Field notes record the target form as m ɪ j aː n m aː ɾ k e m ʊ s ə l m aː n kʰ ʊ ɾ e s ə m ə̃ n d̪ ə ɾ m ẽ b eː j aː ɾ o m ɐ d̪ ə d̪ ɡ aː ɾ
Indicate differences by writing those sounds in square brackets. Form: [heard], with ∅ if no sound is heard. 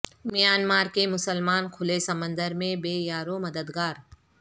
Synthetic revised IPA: m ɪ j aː n m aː ɾ k e m ʊ s ə l m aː n kʰ ʊ [l] e s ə m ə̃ n d̪ ə ɾ m ẽ b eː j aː ɾ o m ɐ d̪ ə d̪ ɡ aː ɾ